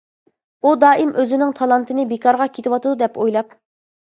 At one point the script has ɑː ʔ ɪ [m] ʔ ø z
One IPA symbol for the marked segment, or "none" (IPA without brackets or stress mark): m